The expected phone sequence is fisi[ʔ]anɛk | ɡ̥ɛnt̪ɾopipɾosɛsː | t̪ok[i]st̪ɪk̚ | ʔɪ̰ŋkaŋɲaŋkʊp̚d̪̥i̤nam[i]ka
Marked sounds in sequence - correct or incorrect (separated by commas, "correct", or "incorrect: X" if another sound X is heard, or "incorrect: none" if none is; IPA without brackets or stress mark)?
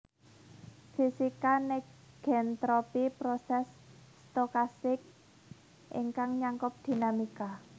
incorrect: k, incorrect: a, correct